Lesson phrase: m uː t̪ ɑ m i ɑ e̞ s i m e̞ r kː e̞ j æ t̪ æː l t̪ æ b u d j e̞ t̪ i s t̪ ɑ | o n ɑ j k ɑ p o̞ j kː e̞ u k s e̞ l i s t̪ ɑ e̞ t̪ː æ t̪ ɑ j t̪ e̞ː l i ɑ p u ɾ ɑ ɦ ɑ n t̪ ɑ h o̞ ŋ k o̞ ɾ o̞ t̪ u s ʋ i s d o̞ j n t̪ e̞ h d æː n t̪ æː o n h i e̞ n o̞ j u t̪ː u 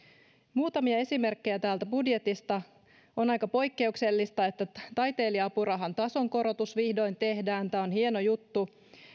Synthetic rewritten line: m uː t̪ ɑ m i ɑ e̞ s i m e̞ r kː e̞ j æ t̪ æː l t̪ æ b u d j e̞ t̪ i s t̪ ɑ | o n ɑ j k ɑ p o̞ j kː e̞ u k s e̞ lː i s t̪ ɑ e̞ t̪ː æ t̪ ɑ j t̪ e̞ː l i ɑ p u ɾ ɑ ɦ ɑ n t̪ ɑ s o̞ ŋ k o̞ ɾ o̞ t̪ u s ʋ i h d o̞ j n t̪ e̞ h d æː n t̪ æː o n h i e̞ n o̞ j u t̪ː u